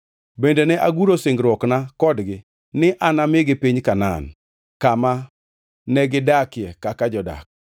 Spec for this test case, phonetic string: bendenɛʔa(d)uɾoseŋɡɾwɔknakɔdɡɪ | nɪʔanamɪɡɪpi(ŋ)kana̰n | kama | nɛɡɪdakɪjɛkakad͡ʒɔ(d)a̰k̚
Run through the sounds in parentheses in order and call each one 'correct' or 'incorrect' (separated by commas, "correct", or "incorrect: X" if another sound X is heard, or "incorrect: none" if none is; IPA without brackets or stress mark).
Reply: incorrect: ɡ, incorrect: ɲ, correct